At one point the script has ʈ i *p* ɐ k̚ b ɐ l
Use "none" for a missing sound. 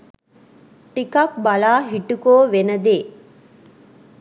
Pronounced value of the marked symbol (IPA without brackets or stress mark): k